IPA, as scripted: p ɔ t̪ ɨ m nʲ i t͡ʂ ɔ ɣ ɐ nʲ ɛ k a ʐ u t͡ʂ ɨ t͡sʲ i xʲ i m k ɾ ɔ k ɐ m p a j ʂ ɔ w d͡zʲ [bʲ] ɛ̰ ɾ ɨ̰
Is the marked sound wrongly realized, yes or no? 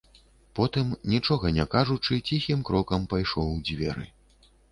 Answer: yes